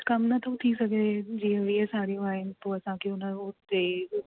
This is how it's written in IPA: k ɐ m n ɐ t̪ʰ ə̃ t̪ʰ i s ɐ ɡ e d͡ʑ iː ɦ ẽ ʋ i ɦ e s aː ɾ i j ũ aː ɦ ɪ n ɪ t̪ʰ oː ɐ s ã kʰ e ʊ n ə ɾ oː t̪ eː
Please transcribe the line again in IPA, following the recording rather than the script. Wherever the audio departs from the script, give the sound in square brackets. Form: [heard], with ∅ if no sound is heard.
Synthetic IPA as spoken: k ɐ m n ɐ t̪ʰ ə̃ t̪ʰ i s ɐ ɡ e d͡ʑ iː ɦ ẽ ʋ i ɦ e s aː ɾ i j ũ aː ɦ ɪ n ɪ [t̪] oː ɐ s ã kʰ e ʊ n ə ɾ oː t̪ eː